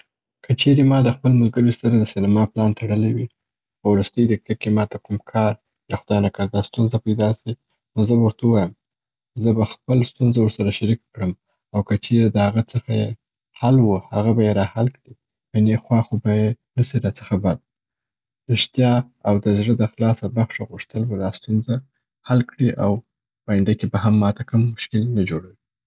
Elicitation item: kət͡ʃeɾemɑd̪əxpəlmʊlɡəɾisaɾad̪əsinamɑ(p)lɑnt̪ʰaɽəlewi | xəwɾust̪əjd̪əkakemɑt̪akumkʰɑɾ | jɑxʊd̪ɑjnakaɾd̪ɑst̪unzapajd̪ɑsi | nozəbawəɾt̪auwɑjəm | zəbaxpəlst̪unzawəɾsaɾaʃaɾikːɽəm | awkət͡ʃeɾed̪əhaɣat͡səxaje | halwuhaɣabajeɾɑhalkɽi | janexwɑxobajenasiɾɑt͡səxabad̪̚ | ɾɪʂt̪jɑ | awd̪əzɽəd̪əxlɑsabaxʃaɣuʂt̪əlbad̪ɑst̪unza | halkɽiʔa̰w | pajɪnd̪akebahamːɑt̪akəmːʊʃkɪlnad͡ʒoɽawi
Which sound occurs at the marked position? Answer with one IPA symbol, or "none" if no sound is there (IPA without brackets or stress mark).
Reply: p